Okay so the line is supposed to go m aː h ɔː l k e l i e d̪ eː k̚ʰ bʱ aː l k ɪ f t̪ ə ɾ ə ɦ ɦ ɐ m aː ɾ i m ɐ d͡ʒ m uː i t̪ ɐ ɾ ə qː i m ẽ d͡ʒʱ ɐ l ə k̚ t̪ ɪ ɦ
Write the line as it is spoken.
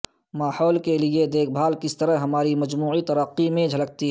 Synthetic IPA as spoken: m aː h ɔː l k e l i e d̪ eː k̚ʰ bʱ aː l k ɪ s t̪ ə ɾ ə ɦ ɦ ɐ m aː ɾ i m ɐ d͡ʒ m uː i t̪ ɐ ɾ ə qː i m ẽ d͡ʒʱ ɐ l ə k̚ t̪ i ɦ